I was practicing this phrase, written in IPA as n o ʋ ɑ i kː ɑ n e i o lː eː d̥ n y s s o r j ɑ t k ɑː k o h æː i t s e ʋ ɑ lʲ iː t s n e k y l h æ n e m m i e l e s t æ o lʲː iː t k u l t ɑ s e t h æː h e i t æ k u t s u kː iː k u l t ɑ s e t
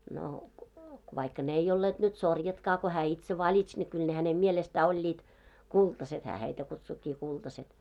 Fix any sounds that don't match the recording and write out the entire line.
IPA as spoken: n o ʋ ɑ i kː ɑ n e i o lː eː d̥ n y t s o r j ɑ t k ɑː k o h æː i t s e ʋ ɑ lʲ i t s n e k y l h æ n e m m i e l e s t æ o lʲː iː t k u l t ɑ s e t h æː h e i t æ k u t s u kː iː k u l t ɑ s e t